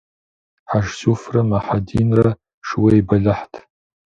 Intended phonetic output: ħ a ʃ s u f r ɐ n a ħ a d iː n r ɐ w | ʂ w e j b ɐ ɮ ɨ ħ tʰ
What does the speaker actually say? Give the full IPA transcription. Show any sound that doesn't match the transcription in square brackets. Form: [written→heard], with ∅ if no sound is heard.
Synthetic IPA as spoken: ħ a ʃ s u f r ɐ [n→m] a ħ a d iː n r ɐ [w→∅] | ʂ w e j b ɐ ɮ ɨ ħ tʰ